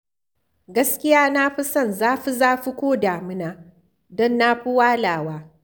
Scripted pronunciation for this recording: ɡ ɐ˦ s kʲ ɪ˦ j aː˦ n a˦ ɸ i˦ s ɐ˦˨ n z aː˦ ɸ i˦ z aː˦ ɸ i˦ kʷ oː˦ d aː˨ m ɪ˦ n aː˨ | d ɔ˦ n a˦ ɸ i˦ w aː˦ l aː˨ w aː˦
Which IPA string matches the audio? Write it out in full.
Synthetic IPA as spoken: ɡ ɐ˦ s kʲ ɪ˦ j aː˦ n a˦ ɸ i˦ s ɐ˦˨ n z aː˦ ɸ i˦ z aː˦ ɸ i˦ kʷ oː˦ d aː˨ m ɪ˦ n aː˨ | d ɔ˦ nː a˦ ɸ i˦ w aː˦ l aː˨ w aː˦